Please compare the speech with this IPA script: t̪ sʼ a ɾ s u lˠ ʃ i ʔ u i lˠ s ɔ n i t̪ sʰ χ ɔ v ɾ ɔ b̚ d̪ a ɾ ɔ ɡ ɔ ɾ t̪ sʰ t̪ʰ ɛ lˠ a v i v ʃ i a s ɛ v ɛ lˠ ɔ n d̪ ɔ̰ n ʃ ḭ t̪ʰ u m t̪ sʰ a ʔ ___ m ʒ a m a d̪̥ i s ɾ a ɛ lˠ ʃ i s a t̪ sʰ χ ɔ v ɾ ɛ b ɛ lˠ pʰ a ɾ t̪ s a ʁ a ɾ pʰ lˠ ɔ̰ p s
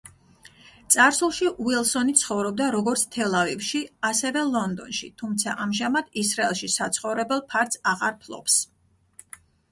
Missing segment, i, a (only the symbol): a